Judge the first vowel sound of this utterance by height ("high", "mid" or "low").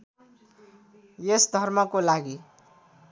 mid